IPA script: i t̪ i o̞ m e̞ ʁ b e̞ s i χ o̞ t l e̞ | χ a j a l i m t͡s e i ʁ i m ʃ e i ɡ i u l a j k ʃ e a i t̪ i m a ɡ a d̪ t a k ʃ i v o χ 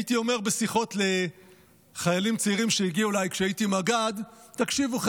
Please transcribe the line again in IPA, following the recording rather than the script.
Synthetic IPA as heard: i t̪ i o̞ m e̞ ʁ b e̞ s i χ o̞ t l e̞ | χ a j a l i m t͡s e i ʁ i m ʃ e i ɡ i u l a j k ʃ e a i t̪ i m a ɡ a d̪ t a k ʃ i v u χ